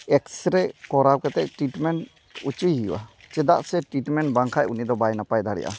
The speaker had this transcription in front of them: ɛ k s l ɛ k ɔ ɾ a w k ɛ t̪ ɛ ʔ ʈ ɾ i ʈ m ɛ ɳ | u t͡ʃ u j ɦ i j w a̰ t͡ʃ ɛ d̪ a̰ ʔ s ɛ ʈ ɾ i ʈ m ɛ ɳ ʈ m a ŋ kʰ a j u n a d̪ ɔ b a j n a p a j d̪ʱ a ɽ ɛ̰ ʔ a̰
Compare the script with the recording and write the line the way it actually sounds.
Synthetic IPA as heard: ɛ k s ɾ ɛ k ɔ ɾ a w k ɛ t̪ ɛ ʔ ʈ ɾ i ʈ m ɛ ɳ | u t͡ʃ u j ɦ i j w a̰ t͡ʃ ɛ d̪ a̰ ʔ s ɛ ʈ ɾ i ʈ m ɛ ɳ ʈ b a ŋ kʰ a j u n i d̪ ɔ b a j n a p a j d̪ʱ a ɽ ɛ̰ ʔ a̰